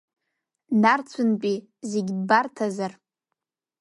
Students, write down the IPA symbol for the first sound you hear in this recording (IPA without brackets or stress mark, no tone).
n